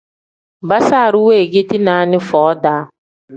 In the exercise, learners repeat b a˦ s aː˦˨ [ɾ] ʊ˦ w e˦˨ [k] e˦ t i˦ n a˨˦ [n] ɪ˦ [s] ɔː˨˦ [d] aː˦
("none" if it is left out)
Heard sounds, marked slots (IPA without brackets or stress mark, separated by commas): ɾ, ɡ, n, f, d